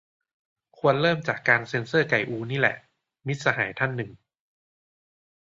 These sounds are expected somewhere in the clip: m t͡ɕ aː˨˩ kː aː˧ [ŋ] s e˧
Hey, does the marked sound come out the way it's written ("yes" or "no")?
no